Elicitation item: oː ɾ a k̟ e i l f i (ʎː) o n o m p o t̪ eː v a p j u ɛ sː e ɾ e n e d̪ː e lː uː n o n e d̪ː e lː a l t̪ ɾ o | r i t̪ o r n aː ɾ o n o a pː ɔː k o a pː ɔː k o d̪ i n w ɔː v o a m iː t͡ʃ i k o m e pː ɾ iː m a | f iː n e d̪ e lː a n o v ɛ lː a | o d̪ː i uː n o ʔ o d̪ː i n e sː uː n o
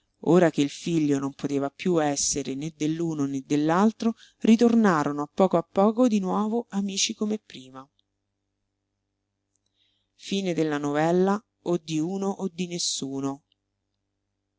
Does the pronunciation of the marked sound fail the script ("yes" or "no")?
no